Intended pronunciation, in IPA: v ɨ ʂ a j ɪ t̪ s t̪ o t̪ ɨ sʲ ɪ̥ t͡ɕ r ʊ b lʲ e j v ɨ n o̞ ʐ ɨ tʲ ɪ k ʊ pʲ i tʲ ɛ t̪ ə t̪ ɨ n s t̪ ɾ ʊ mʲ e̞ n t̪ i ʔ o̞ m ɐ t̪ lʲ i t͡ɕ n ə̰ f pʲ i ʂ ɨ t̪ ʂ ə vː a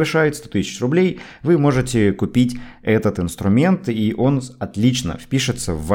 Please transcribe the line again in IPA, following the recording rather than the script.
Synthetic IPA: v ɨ ʂ a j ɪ t̪ s t̪ o t̪ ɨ sʲ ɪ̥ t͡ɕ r ʊ b lʲ e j v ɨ m o̞ ʐ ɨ tʲ ɪ k ʊ pʲ i tʲ ɛ t̪ ə t̪ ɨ n s t̪ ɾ ʊ mʲ e̞ n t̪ i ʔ o̞ n ɐ t̪ lʲ i t͡ɕ n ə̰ f pʲ i ʂ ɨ t̪ s ə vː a